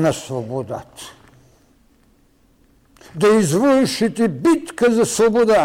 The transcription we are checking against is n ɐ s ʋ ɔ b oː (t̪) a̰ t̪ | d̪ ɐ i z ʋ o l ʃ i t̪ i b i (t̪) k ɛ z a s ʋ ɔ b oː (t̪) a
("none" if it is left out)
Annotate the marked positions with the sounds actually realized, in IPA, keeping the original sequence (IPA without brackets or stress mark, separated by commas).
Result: d̪, t̪, d̪